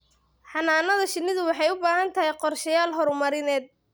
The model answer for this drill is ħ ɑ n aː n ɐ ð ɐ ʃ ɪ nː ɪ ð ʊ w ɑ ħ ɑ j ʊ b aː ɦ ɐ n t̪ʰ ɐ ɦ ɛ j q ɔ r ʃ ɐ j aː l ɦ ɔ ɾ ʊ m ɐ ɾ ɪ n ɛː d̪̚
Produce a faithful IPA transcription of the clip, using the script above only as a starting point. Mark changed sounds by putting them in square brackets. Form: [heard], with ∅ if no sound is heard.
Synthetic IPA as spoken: ħ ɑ n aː n ɐ ð ɐ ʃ ɪ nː ɪ ð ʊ w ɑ ħ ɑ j ʊ b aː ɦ ɐ n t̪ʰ ɐ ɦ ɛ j q ɔ r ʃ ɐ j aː l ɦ ɔ ɾ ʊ m ɐ ɾ ɪ n ɛː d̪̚